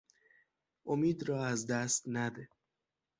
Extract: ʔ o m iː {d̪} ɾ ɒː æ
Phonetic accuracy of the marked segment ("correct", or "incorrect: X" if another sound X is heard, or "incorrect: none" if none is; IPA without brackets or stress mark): correct